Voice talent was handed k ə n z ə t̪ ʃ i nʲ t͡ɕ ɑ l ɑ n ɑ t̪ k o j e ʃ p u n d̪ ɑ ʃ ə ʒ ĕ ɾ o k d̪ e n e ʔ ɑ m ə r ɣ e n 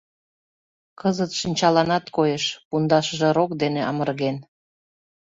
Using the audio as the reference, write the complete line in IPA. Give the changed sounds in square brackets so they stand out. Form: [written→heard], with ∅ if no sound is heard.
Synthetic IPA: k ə [n→∅] z ə t̪ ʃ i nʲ t͡ɕ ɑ l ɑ n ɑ t̪ k o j e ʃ p u n d̪ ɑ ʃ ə ʒ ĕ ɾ o k d̪ e n e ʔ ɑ m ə r ɣ e n